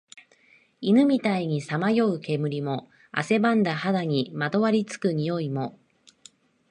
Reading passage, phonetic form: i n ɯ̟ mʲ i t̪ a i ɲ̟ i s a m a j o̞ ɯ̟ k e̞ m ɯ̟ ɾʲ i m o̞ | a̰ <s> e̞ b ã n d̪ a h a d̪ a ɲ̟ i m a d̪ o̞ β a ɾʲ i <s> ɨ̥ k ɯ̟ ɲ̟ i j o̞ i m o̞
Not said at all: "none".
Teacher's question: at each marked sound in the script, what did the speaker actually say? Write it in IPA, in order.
s, t͡s

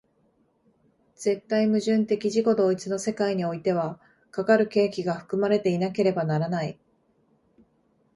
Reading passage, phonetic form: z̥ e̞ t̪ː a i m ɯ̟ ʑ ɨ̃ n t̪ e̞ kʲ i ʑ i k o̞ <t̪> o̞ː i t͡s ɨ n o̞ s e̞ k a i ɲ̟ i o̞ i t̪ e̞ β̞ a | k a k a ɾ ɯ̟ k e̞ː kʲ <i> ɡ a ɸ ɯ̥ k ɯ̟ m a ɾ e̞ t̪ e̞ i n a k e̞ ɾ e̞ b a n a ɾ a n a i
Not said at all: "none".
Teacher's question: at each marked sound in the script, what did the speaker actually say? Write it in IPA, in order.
d̪, i

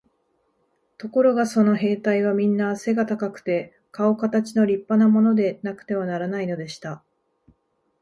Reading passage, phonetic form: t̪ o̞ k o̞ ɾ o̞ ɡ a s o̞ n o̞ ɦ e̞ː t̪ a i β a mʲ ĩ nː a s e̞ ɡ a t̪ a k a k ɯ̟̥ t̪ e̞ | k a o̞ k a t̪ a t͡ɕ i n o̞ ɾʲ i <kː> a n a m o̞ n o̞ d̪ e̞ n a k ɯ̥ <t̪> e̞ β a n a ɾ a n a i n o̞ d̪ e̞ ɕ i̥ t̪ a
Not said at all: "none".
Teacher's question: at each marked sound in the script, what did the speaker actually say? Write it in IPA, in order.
pː, t̪

